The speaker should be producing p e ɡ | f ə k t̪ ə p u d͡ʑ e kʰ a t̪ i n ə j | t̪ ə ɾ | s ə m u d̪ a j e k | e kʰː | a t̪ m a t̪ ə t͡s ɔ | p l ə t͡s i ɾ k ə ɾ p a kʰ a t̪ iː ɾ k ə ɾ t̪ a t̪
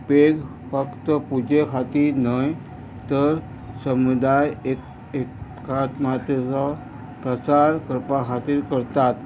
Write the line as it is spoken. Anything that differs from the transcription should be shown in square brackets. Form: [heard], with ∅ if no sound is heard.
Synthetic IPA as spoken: p e ɡ | f ə k t̪ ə p u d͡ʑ e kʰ a t̪ i n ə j | t̪ ə ɾ | s ə m u d̪ a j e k | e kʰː | a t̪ m a t̪ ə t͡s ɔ | p [ɾ] ə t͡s [a] ɾ k ə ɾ p a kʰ a t̪ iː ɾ k ə ɾ t̪ a t̪